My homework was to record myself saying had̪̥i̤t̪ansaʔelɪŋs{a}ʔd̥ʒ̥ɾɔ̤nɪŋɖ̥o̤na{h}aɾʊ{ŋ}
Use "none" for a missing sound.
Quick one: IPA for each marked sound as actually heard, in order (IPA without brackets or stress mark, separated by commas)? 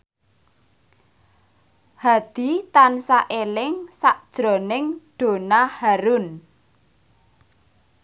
a, h, n